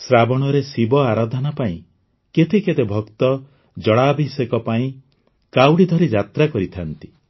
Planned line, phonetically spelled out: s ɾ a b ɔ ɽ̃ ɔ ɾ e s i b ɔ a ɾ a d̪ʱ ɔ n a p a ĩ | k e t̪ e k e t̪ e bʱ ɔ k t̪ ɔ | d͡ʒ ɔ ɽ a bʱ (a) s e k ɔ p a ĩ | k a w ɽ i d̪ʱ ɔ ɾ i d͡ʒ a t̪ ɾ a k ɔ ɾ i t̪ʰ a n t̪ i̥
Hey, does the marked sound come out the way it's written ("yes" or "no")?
no